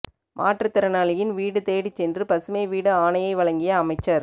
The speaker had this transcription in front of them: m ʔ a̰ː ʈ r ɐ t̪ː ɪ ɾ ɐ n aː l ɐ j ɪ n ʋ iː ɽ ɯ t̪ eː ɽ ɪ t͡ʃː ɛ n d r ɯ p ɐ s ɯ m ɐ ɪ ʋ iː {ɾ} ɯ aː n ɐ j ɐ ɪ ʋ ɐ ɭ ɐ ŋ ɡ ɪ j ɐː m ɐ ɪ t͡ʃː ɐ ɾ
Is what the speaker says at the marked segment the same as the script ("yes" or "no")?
no